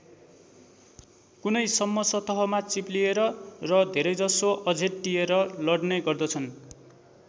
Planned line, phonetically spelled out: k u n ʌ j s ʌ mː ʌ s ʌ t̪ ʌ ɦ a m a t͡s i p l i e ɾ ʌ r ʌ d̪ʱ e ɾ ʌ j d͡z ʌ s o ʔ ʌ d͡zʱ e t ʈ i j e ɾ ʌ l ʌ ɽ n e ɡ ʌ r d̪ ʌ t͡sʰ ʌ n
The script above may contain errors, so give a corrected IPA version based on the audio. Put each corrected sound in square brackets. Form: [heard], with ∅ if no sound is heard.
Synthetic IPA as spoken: k u n ʌ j s ʌ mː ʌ s ʌ t̪ ʌ ɦ [ʌ] m a t͡s i p l i e ɾ ʌ r ʌ d̪ʱ e ɾ ʌ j d͡z ʌ s o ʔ ʌ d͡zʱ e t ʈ i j e ɾ ʌ l ʌ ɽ n e ɡ ʌ r d̪ ʌ t͡sʰ ʌ n